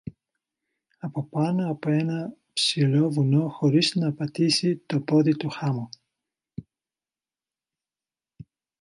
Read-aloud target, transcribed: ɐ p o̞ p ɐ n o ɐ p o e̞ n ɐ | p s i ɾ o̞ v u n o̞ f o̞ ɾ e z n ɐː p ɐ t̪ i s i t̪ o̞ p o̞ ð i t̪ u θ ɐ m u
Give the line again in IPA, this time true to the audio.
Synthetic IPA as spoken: ɐ p o̞ p ɐ n o ɐ p o e̞ n ɐ | p s i l o̞ v u n o̞ x o̞ ɾ i z n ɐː p ɐ t̪ i s i t̪ o̞ p o̞ ð i t̪ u x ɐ m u